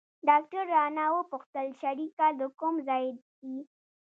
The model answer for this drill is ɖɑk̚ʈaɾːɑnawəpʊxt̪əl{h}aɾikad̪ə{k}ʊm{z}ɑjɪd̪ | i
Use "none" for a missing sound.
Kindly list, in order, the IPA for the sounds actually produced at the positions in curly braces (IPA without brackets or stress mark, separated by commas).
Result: ʃ, k, z